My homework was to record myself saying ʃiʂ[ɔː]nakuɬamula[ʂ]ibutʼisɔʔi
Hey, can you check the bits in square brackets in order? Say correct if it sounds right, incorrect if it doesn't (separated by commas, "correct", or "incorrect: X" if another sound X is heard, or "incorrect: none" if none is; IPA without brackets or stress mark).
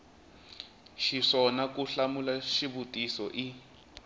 incorrect: ɔ, incorrect: ʃ